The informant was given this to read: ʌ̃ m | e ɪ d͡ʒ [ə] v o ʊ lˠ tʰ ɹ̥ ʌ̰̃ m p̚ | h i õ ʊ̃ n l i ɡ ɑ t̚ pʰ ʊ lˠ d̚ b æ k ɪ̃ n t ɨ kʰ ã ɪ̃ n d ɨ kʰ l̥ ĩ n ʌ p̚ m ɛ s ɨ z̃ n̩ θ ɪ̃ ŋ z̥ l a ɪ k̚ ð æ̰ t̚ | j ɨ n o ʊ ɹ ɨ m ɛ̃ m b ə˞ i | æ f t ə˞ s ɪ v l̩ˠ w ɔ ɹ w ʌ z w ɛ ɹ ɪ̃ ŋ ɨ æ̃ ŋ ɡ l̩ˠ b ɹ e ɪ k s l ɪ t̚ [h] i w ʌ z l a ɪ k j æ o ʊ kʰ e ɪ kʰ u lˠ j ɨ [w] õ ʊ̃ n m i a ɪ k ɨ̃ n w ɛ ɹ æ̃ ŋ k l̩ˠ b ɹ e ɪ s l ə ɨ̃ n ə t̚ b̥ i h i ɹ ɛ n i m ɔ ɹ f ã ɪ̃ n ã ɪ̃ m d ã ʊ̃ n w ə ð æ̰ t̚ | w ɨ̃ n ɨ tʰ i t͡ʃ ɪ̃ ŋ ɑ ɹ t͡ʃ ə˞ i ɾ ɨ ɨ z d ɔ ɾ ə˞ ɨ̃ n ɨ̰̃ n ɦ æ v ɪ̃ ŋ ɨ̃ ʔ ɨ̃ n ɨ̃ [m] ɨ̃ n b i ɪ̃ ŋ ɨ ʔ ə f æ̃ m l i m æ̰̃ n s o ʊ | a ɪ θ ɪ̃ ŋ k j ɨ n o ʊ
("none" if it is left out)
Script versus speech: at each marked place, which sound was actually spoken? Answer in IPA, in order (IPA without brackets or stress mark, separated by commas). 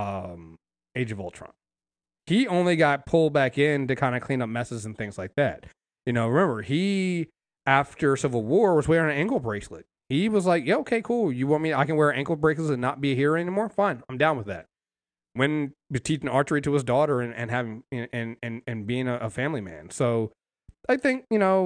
ʌ, h, w, n